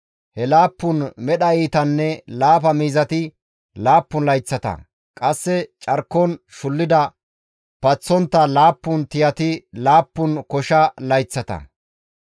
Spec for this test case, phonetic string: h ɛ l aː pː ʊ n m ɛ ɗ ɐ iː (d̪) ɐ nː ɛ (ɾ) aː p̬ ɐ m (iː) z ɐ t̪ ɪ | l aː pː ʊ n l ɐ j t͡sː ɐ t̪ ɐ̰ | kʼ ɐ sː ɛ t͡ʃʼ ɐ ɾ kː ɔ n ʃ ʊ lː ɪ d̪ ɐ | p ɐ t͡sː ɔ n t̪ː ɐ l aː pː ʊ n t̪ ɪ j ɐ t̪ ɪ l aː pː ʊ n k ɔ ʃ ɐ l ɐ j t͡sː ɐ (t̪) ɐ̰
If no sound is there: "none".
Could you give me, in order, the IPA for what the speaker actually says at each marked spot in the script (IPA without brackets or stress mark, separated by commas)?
t̪, l, iː, t̪